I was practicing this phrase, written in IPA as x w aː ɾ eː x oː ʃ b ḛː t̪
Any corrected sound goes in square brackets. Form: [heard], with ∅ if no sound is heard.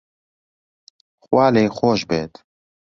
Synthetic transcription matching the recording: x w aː [l] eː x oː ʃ b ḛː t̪